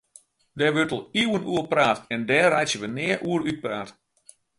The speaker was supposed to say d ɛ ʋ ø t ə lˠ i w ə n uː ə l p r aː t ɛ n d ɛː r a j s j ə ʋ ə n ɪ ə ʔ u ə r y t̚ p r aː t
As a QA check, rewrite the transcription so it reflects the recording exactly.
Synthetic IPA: d ɛ ʋ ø t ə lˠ i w ə n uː ə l p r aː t ɛ n d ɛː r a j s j ə ʋ ə n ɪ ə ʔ u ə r y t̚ p r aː t